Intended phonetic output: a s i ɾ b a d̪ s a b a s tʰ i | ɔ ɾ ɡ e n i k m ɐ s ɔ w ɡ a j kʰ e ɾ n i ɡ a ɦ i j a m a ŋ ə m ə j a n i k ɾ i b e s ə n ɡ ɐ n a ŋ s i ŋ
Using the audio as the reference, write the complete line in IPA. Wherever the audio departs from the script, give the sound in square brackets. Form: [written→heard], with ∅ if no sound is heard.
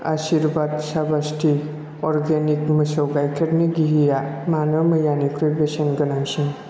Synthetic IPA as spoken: a s i ɾ b a d̪ s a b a s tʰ i | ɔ ɾ ɡ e n i k m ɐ s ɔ w ɡ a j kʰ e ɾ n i ɡ [a→i] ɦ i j a m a [ŋ→n] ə m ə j a n i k ɾ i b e s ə n ɡ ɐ n a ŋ s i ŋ